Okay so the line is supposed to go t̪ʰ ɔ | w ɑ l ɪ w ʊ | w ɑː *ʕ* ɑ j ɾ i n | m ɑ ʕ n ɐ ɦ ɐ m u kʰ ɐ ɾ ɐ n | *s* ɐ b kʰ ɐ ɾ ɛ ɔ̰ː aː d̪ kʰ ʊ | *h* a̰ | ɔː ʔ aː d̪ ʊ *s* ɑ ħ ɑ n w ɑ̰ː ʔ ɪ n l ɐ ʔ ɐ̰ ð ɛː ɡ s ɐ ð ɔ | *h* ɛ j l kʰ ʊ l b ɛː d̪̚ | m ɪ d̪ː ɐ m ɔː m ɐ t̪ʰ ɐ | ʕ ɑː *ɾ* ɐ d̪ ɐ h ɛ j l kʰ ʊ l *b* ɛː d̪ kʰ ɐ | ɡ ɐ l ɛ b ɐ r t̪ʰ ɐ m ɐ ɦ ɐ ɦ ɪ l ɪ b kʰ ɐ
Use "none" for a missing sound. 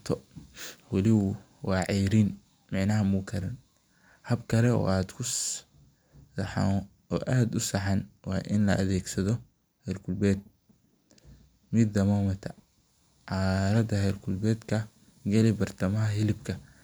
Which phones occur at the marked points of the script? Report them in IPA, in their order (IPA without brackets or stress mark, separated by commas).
ʕ, h, ħ, s, h, ɾ, b